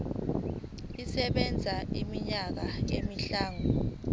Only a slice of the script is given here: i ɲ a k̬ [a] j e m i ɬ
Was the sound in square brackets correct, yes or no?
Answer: yes